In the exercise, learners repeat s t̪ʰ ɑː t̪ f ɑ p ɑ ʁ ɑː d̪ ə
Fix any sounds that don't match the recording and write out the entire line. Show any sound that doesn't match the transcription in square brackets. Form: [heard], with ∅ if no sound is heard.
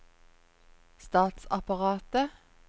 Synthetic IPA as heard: s [t̪] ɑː t̪ [s] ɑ p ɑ ʁ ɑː [t̪] ə